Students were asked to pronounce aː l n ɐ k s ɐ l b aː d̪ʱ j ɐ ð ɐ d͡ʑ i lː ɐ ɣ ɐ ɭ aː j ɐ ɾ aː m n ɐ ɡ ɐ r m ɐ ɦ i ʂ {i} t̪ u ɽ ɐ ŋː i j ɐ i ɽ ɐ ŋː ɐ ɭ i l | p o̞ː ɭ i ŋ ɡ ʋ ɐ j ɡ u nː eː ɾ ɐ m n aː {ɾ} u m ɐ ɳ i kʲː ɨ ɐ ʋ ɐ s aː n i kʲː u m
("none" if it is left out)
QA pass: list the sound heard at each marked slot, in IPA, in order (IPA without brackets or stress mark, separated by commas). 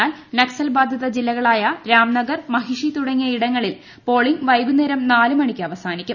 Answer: i, l